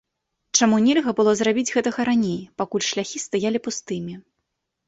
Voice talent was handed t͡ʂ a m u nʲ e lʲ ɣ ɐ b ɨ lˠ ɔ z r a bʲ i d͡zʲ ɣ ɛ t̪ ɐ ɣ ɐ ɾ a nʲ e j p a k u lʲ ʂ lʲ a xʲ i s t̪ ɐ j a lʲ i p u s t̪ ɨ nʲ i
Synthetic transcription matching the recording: t͡ʂ a m u nʲ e lʲ ɣ ɐ b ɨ lˠ ɔ z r a bʲ i d͡zʲ ɣ ɛ t̪ ɐ ɣ ɐ ɾ a nʲ e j p a k u lʲ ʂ lʲ a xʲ i s t̪ a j a lʲ i p u s t̪ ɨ mʲ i

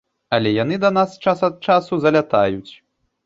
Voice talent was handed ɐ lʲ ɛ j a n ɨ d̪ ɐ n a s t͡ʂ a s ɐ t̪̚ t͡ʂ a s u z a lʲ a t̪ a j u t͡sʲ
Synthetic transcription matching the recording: ɐ lʲ ɛ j a n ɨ d̪ ɐ n a s t͡ʂ a s ɐ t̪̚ t͡ʂ a s u z ɐ lʲ a t̪ a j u t͡sʲ

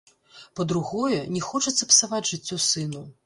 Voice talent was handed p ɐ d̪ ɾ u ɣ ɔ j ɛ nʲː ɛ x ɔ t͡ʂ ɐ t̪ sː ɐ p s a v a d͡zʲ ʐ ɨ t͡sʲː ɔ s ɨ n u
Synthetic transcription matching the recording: p ɐ d̪ ɾ u ɣ ɔ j ɛ nʲ ɛ x ɔ t͡ʂ ɐ t̪ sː ɐ p s a v a d͡zʲ ʐ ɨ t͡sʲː ɔ s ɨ n u

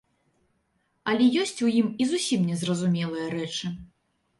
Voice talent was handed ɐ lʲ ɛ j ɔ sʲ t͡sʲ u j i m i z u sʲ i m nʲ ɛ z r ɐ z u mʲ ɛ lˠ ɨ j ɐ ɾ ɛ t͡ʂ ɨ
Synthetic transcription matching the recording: ɐ lʲ ɛ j ɔ sʲ t͡sʲ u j i m i z u sʲ i m nʲ ɛ z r ɐ z u mʲ ɛ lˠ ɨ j ɐ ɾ ɛ t͡ʂ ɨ

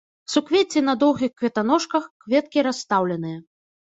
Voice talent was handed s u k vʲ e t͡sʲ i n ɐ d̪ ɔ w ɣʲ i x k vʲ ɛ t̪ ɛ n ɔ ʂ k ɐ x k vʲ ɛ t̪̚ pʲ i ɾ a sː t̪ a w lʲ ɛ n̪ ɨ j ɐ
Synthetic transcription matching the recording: s u k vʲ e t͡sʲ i n ɐ d̪ ɔ w ɣʲ i x k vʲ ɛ t̪ a n ɔ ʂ k ɐ x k vʲ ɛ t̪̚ kʲ i ɾ a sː t̪ a w lʲ ɛ n̪ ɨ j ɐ

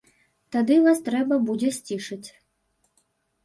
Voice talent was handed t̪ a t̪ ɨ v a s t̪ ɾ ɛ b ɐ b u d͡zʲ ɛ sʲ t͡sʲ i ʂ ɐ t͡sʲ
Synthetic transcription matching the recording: t̪ a d̪ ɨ v a s t̪ ɾ ɛ b ɐ b u d͡zʲ ɛ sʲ t͡sʲ i ʂ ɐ t͡sʲ

